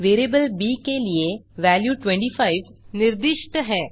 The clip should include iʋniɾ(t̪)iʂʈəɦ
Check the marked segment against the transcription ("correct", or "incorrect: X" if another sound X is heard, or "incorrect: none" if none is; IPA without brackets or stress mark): incorrect: d̪